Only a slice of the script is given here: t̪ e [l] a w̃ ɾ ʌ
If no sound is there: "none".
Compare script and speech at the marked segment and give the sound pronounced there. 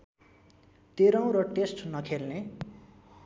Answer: ɾ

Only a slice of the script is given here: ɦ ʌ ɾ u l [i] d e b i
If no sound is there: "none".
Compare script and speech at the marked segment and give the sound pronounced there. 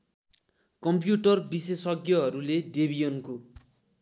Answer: e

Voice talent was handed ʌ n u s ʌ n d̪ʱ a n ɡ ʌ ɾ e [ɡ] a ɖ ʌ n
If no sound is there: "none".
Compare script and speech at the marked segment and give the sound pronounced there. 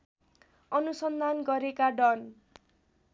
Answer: k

